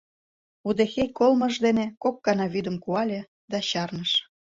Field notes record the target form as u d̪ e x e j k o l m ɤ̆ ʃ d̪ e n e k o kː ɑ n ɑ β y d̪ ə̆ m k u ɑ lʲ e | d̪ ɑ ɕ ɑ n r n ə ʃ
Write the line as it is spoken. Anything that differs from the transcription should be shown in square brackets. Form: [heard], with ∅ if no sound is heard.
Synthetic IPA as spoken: u d̪ e x e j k o l m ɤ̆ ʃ d̪ e n e k o kː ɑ n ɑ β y d̪ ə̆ m k u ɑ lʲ e | d̪ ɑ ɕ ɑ [∅] r n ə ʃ